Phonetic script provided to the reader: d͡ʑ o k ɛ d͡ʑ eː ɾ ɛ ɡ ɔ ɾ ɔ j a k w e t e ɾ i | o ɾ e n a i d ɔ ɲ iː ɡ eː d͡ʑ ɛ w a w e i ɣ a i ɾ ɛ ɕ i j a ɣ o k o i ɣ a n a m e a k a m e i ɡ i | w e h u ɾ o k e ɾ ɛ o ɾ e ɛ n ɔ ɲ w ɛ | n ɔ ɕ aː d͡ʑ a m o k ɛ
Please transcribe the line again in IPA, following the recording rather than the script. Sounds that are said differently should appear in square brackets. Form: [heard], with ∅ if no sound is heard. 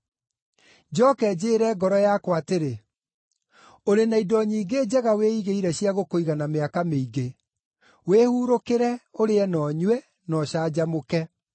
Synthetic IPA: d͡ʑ [ɔ] k ɛ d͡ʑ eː ɾ ɛ ɡ ɔ ɾ ɔ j a k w [a] t e ɾ [e] | o ɾ e n a i d ɔ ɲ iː ɡ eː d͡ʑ ɛ [ɣ] a w e i ɣ [e] i ɾ ɛ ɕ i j a ɣ o k o i ɣ a n a m e a k a m e i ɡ [e] | w e h u ɾ o k e ɾ ɛ o ɾ e ɛ n ɔ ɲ w ɛ | n ɔ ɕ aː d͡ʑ a m o k ɛ